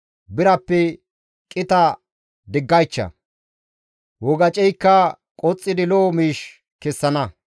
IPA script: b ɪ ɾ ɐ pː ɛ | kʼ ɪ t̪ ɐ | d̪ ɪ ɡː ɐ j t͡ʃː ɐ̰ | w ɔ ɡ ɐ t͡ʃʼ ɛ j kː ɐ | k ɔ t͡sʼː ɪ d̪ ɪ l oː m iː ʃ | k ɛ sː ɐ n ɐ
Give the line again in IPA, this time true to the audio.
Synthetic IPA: b ɪ ɾ ɐ pː ɛ | kʼ ɪ t̪ ɐ | d̪ ɪ ɡː ɐ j t͡ʃː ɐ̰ | w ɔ ɡ ɐ t͡ʃʼ ɛ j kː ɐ | kʼ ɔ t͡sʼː ɪ d̪ ɪ l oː m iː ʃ | k ɛ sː ɐ n ɐ

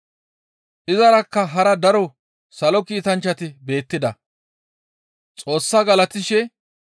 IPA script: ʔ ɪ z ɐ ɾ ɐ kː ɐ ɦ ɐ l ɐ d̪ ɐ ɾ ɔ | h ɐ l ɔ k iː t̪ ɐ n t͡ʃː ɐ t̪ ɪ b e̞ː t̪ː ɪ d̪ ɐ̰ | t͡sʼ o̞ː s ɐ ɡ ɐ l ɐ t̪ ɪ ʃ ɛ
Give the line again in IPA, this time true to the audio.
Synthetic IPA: ʔ ɪ z ɐ ɾ ɐ kː ɐ ɦ ɐ ɾ ɐ d̪ ɐ ɾ ɔ | s ɐ l ɔ k iː t̪ ɐ n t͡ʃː ɐ t̪ ɪ b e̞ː t̪ː ɪ d̪ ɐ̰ | t͡sʼ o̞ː sː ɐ ɡ ɐ l ɐ t̪ ɪ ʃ ɛ

